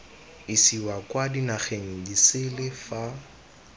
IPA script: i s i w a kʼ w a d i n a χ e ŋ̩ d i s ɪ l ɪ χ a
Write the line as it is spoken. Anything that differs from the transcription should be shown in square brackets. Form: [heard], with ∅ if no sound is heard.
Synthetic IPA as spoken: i s i w a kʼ w a d i n a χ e ŋ̩ d i s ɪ l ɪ [f] a